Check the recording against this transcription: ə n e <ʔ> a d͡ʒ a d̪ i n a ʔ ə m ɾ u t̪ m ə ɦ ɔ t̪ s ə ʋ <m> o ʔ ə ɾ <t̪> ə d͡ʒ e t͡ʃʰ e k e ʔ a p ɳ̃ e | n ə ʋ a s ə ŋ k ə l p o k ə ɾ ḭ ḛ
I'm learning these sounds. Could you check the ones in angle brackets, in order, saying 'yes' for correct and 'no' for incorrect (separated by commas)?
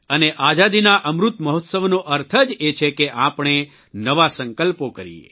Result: yes, no, no